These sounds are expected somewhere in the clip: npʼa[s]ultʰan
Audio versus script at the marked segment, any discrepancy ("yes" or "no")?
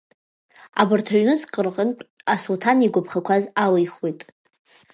no